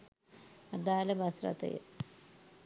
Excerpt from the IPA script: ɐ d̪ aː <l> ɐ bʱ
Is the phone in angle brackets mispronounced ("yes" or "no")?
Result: no